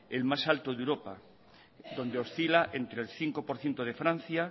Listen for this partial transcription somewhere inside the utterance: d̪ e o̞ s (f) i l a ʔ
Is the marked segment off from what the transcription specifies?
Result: yes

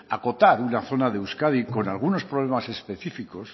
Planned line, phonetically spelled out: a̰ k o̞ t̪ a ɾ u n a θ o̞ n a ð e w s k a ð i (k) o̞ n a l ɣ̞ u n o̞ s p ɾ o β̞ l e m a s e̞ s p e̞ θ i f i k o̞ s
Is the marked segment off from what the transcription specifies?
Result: no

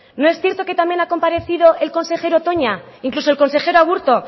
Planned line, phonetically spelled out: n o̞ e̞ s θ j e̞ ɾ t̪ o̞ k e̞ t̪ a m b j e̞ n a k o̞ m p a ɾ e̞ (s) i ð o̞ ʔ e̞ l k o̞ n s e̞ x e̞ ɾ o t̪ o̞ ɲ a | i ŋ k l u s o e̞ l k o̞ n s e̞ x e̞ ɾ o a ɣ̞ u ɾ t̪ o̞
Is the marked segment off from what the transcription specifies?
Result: yes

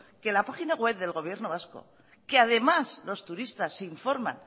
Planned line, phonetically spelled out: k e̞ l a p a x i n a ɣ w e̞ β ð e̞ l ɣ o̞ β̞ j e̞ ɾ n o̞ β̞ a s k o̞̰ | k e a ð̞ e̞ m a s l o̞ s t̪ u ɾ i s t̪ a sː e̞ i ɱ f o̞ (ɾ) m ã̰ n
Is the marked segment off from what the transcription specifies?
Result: no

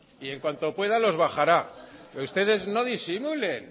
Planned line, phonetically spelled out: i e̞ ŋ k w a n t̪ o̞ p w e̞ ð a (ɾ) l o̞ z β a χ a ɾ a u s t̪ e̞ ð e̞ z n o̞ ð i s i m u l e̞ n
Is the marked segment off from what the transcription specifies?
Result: yes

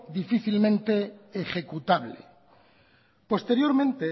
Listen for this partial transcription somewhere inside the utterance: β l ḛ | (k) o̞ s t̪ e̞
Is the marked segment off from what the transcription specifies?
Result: yes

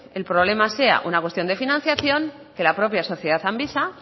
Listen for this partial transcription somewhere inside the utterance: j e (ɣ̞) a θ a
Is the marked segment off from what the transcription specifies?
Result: yes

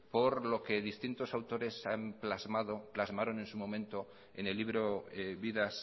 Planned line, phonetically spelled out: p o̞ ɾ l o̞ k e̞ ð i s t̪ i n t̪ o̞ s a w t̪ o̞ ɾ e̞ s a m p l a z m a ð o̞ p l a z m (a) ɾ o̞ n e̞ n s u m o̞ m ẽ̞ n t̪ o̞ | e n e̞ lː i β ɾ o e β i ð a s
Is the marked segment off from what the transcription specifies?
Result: no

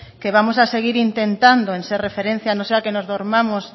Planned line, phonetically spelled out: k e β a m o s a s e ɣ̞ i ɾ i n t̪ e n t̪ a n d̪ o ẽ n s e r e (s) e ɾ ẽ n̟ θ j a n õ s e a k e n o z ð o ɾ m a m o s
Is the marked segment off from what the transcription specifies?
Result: yes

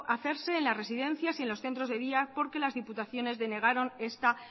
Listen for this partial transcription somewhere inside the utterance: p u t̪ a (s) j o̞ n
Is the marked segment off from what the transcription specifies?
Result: yes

